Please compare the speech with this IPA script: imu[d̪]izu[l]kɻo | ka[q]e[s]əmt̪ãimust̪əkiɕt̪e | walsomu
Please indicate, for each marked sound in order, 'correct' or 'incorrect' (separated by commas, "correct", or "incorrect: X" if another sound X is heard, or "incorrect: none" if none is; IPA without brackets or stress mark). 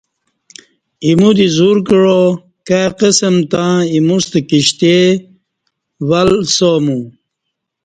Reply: correct, incorrect: ɾ, correct, correct